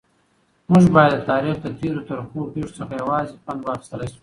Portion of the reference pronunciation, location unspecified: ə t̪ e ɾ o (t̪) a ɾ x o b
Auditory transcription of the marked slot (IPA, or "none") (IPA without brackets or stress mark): t̪